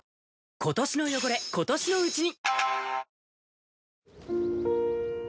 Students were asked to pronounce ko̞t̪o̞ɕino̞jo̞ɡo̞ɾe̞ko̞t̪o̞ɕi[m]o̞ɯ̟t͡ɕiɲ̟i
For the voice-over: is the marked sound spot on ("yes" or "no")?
no